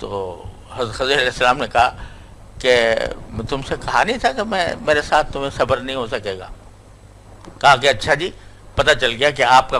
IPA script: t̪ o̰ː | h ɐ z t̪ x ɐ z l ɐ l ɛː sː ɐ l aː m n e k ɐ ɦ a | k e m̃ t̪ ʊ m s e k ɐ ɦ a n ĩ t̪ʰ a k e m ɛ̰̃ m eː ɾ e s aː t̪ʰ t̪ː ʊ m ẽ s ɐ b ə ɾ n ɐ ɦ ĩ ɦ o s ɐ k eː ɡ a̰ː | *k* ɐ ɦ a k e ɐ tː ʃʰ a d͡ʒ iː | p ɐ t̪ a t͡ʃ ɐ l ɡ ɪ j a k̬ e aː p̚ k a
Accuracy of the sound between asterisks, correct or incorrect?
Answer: correct